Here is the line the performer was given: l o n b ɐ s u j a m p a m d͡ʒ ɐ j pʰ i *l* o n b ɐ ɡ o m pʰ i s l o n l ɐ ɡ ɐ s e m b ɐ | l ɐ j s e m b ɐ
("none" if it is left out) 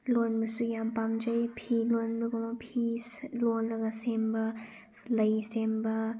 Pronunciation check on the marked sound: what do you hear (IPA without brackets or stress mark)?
l